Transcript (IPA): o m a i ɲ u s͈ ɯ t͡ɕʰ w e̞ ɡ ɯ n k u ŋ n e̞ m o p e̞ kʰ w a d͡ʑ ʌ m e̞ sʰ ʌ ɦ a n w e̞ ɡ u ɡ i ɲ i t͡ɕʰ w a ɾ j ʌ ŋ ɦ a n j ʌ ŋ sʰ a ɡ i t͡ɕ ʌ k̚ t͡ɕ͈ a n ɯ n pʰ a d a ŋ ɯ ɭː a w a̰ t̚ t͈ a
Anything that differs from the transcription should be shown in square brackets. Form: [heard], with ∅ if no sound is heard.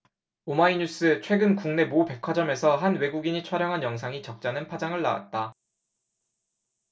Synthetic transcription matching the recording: o m a i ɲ u s͈ ɯ t͡ɕʰ w e̞ ɡ ɯ n k u ŋ n e̞ m o p e̞ kʰ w a d͡ʑ ʌ m e̞ sʰ ʌ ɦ a n w e̞ ɡ u ɡ i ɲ i t͡ɕʰ w a ɾ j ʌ ŋ ɦ a n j ʌ ŋ sʰ a [ŋ] i t͡ɕ ʌ k̚ t͡ɕ͈ a n ɯ n pʰ a [d͡ʑ] a ŋ ɯ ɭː a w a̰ t̚ t͈ a